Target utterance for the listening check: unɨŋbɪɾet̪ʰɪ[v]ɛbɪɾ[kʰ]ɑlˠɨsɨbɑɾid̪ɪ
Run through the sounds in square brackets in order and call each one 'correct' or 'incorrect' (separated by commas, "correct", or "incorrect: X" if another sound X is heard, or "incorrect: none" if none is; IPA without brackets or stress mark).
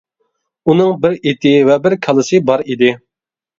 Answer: correct, correct